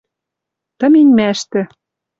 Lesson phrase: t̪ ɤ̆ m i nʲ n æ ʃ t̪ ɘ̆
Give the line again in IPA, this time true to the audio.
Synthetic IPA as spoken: t̪ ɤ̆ m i nʲ m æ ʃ t̪ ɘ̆